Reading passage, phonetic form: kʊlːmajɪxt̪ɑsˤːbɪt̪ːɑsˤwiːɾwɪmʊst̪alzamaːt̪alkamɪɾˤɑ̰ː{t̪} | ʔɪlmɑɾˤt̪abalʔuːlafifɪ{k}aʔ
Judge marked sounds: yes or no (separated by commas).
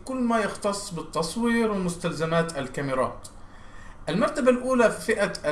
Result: yes, no